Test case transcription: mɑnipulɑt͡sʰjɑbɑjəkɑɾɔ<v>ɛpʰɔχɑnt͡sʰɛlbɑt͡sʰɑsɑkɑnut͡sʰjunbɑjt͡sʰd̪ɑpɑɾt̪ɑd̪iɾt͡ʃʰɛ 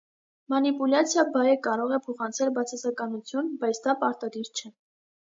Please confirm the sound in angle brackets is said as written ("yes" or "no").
no